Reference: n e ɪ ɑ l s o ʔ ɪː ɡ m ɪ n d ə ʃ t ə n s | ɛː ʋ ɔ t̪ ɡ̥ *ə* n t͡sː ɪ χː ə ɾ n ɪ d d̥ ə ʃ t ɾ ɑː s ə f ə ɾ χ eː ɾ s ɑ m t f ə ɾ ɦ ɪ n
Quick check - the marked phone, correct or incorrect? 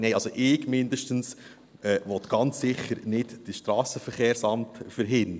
incorrect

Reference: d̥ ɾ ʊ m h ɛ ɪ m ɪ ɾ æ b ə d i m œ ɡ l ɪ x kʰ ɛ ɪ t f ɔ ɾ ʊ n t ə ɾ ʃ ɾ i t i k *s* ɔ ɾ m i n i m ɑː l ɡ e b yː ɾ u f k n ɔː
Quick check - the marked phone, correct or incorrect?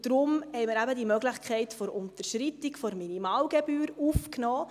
incorrect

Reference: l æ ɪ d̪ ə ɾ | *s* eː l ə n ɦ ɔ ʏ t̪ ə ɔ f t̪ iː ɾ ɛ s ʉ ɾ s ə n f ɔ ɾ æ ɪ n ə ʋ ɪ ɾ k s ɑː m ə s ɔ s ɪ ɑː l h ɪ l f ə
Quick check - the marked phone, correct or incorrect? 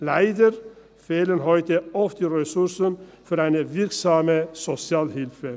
incorrect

